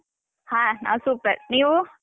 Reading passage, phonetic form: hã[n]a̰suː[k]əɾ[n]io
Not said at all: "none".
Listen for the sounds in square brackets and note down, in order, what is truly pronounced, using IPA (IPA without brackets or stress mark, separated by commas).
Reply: n, p, n